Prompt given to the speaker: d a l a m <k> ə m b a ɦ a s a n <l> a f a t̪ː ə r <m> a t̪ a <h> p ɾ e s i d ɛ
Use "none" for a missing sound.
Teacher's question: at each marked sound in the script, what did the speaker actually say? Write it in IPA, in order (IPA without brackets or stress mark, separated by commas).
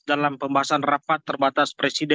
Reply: p, r, b, s